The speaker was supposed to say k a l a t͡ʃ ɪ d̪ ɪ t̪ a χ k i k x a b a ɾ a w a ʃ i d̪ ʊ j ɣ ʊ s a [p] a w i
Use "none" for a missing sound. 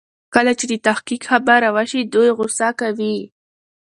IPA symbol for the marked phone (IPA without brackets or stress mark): k